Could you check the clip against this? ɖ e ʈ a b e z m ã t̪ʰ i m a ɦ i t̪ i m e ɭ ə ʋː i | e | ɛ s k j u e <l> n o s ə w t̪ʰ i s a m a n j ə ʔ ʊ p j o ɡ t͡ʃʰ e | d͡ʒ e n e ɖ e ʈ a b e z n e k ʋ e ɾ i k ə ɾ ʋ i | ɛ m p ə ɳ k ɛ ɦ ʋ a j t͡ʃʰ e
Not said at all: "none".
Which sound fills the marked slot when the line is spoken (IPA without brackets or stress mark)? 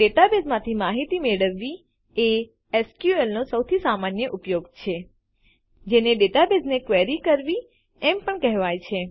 l